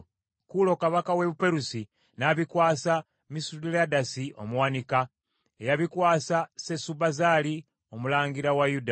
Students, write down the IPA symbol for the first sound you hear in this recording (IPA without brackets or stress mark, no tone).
k